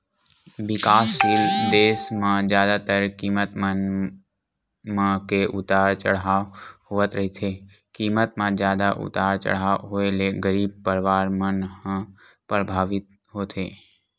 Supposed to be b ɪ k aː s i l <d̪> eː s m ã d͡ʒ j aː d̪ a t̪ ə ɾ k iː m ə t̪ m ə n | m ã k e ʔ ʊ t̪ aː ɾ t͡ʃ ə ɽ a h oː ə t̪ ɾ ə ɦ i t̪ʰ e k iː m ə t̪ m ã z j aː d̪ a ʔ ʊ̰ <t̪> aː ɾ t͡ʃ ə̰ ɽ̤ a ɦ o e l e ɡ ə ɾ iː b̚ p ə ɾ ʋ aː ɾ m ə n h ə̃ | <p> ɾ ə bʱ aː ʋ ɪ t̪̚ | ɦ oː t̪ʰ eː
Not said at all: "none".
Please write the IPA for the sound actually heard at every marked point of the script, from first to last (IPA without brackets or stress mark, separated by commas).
d̪, t̪, p